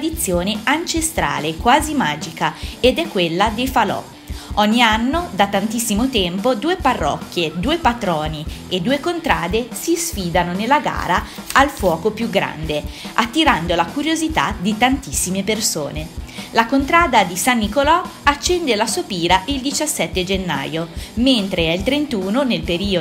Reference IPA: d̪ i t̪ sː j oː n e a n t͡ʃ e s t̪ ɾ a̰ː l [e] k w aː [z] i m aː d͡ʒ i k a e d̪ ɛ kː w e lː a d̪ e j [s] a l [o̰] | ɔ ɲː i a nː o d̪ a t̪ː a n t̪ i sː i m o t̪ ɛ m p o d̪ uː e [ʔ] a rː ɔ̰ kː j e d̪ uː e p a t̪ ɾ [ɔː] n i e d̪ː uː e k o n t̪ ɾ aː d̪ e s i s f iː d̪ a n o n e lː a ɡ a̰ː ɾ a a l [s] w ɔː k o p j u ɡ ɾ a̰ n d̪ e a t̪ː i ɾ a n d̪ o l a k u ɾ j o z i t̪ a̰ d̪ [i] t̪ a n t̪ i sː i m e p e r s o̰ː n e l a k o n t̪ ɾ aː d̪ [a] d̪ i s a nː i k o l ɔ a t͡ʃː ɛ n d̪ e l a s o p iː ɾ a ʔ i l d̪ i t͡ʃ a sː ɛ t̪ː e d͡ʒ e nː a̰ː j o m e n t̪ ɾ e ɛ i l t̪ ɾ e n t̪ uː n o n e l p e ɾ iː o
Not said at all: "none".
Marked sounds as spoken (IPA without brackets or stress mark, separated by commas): e, z, f, ɔ̰, p, ɔː, f, i, a